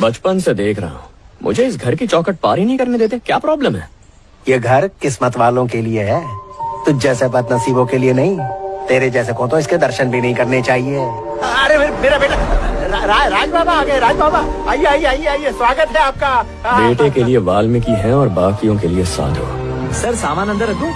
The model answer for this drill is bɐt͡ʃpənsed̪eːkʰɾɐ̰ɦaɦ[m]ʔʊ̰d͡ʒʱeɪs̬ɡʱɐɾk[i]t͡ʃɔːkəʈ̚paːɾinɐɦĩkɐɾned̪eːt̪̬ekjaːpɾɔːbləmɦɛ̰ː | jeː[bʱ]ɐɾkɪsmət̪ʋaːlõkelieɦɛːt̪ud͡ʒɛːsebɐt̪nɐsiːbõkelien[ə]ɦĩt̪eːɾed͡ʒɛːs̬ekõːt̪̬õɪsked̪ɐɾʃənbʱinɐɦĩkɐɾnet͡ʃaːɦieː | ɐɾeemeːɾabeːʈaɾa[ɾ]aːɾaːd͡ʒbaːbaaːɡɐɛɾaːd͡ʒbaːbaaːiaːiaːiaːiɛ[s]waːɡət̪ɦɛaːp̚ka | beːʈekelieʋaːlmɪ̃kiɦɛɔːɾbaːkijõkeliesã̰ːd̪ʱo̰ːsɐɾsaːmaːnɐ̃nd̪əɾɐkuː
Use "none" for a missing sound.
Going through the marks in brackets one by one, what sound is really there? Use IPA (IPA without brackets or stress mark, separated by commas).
m, i, ɡʱ, ɐ, ɾ, s